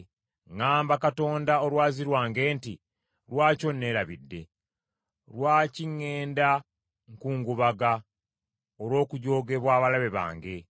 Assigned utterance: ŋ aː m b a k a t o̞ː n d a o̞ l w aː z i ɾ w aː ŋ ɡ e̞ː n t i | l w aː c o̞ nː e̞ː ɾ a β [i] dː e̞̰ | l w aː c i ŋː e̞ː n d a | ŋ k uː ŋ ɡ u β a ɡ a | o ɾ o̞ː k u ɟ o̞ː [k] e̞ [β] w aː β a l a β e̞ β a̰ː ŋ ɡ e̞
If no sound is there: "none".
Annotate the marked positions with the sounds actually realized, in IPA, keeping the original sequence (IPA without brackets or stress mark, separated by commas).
i, ɡ, β